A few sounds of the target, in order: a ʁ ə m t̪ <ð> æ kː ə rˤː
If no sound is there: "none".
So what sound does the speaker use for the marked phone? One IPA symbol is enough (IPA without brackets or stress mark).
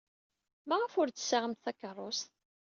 θ